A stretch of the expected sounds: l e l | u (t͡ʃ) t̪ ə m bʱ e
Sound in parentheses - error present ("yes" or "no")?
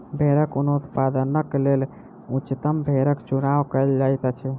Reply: no